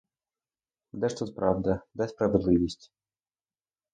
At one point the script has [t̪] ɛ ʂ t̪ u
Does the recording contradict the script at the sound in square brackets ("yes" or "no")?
yes